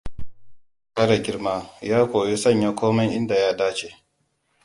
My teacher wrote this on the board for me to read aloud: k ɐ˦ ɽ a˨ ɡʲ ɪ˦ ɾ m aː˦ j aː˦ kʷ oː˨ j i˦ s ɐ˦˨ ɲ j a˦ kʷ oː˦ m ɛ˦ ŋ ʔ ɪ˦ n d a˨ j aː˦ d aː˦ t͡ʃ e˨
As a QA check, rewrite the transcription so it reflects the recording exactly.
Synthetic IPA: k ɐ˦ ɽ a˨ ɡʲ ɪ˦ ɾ m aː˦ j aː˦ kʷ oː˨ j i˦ s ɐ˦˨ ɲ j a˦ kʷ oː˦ m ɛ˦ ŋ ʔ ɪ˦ n d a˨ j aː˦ d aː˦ t͡ʃ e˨